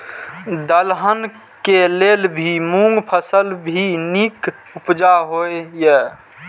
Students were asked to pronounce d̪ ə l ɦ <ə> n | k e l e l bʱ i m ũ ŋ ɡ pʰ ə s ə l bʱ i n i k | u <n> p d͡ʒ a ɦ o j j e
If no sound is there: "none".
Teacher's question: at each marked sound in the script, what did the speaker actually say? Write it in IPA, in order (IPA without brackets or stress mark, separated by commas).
ə, none